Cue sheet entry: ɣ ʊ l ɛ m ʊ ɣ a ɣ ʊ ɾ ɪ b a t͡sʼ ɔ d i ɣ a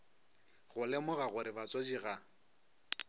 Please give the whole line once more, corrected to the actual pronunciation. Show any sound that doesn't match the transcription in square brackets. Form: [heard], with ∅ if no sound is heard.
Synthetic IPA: ɣ ʊ l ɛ m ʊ ɣ a ɣ ʊ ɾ ɪ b a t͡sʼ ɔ [d͡ʒ] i ɣ a

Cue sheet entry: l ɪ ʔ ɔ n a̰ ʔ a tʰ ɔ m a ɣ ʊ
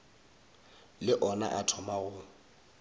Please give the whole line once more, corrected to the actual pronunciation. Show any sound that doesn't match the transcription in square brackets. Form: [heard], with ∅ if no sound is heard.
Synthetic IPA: l ɪ ʔ ɔ n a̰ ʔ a tʰ ɔ m a ɣ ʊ

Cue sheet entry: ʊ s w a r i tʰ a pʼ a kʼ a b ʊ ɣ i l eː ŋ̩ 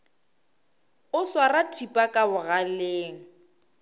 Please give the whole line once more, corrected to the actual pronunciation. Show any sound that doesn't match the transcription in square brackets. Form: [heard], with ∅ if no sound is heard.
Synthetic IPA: ʊ s w a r [a] tʰ [i] pʼ a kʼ a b ʊ ɣ [a] l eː ŋ̩

